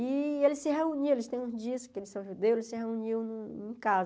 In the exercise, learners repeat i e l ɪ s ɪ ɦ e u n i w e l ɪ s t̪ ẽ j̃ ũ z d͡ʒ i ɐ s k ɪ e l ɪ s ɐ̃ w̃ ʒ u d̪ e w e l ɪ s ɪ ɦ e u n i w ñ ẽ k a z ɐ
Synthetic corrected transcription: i e l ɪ s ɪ ɦ e u n i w e l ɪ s t̪ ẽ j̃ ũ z d͡ʒ i ɐ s k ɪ e l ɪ s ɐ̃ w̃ ʒ u d̪ e w e l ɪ s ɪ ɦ e u n i w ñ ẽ k a z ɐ

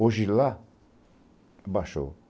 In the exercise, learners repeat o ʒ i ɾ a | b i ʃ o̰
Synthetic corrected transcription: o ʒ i l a | b a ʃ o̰

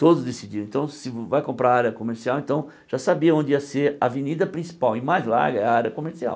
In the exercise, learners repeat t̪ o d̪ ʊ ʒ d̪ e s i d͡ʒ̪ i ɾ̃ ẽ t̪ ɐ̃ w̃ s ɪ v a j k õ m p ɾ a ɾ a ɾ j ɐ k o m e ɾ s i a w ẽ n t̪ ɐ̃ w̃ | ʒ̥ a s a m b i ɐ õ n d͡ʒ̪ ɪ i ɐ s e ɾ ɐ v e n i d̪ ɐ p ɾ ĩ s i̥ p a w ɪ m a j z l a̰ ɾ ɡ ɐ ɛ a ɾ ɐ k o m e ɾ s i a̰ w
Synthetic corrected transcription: t̪ o d̪ ʊ z d̪ e s i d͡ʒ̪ i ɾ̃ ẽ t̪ ɐ̃ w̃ s ɪ v a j k õ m p ɾ a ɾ a ɾ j ɐ k o m e ɾ s i a w ẽ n t̪ ɐ̃ w̃ | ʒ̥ a s a b i ɐ õ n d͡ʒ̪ ɪ i ɐ s e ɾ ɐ v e n i d̪ ɐ p ɾ ĩ s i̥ p a w ɪ m a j z l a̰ ɾ ɡ ɐ ɛ a ɾ ɐ k o m e ɾ s i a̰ w

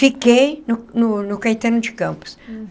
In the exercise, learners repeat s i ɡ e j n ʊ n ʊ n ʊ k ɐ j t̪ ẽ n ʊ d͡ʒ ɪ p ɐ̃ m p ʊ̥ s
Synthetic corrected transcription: f i k e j n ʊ n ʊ n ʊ k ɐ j t̪ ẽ n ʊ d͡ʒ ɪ k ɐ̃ m p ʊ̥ s

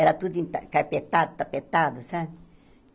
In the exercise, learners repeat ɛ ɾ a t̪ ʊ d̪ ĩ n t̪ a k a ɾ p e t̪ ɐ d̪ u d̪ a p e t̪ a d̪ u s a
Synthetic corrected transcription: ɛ ɾ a t̪ u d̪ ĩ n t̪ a k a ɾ p e t̪ a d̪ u t̪ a p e t̪ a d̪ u s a

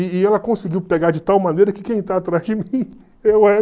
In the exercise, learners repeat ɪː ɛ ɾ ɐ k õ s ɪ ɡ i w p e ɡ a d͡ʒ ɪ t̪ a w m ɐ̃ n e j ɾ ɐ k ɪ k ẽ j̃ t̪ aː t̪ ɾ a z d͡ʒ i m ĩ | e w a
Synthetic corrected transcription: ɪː ɛ l ɐ k õ s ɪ ɡ i w p e ɡ a d͡ʒ ɪ t̪ a w m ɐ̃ n e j ɾ ɐ k ɪ k ẽ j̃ t̪ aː t̪ ɾ a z d͡ʒ ɪ m ĩ | e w ɛ

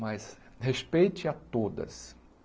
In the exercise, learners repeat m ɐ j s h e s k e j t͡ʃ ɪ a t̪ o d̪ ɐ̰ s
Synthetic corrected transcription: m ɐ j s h e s p e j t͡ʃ ɪ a t̪ o d̪ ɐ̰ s

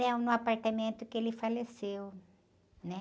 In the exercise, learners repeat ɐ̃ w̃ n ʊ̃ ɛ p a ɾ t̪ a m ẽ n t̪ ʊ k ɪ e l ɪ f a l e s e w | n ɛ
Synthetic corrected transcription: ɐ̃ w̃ n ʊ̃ a p a ɾ t̪ a m ẽ n t̪ ʊ k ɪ e l ɪ f a l e s e w | n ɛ

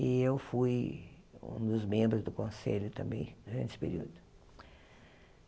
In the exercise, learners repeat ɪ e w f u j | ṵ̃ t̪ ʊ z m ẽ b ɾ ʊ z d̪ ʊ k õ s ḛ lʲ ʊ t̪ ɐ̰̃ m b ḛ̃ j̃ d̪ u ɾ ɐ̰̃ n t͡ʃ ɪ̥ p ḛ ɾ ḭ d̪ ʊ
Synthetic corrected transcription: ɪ e w f u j | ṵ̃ d̪ ʊ z m ẽ b ɾ ʊ z d̪ ʊ k õ s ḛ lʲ ʊ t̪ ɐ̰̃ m b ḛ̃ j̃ d̪ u ɾ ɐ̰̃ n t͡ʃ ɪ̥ p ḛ ɾ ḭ d̪ ʊ

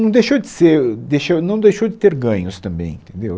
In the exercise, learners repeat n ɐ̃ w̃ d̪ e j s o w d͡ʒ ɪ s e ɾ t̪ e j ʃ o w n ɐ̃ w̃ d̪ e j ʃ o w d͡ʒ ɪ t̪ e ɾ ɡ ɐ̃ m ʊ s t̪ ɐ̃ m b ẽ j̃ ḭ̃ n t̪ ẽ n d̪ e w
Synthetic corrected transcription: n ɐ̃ w̃ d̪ e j ʃ o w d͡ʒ ɪ s e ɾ d̪ e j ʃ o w n ɐ̃ w̃ d̪ e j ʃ o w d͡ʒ ɪ t̪ e ɾ ɡ ɐ̃ ɲ ʊ s t̪ ɐ̃ m b ẽ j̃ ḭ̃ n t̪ ẽ n d̪ e w

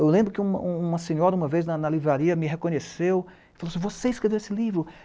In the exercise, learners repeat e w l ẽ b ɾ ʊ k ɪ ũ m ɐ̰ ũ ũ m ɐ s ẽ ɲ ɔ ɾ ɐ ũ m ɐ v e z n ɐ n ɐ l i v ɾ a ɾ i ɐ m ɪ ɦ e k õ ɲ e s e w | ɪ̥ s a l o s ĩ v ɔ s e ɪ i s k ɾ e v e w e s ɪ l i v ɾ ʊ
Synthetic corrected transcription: e w l ẽ b ɾ ʊ k ɪ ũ m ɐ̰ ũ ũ m ɐ s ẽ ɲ ɔ ɾ ɐ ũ m ɐ v e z n ɐ n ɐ l i v ɾ a ɾ i ɐ m ɪ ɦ e k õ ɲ e s e w | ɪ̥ f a l o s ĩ v o s e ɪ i s k ɾ e v e w e s ɪ l i v ɾ ʊ

